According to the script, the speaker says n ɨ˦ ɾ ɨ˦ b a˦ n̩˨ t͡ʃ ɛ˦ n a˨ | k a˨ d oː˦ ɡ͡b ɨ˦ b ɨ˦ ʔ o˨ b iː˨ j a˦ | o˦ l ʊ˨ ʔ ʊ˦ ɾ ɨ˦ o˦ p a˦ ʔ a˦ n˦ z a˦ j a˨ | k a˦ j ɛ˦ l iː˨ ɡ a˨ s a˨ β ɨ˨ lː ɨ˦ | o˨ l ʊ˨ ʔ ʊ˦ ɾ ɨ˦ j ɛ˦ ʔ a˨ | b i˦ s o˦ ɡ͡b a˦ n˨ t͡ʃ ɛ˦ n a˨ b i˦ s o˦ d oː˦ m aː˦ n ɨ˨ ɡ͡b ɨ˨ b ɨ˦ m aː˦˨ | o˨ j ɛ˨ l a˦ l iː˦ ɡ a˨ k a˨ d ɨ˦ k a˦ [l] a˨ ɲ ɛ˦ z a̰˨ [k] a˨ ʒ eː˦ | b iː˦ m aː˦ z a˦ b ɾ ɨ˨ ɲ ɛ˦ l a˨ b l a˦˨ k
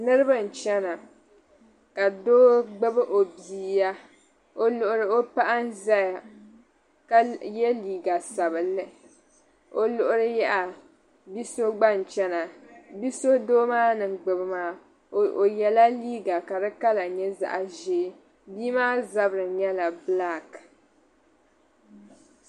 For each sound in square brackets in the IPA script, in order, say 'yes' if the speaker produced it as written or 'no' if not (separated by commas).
yes, no